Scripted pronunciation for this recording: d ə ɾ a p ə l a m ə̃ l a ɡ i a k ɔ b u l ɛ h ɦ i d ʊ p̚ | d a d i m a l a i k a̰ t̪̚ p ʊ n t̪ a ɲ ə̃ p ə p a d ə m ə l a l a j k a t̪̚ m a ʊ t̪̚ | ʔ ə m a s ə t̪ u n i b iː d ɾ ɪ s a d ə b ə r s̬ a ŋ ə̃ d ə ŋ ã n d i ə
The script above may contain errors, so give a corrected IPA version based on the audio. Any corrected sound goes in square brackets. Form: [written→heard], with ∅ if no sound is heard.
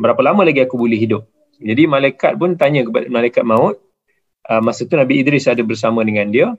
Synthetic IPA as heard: [d→b] ə ɾ a p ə l a m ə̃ l a ɡ i a k [ɔ→u] b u l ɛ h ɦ i d ʊ p̚ | [d→d͡ʒ] a d i m a l a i k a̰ t̪̚ p ʊ n t̪ a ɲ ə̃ [p→k] ə p a d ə m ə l a l a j k a t̪̚ m a ʊ t̪̚ | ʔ ə m a s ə t̪ u n [i→a] b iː d ɾ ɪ s a d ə b ə r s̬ a [ŋ→m] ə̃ d ə ŋ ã n d i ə